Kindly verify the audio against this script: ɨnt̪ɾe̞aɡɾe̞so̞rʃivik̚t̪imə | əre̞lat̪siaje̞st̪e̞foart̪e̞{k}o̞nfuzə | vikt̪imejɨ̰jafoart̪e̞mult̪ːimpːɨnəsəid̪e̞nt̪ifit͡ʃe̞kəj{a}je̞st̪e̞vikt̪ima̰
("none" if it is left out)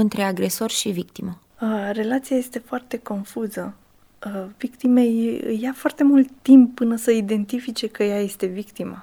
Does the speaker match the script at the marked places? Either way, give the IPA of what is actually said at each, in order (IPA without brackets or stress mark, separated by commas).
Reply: k, a